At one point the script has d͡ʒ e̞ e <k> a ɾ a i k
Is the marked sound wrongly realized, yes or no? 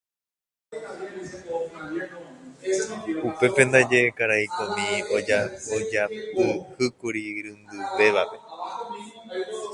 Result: no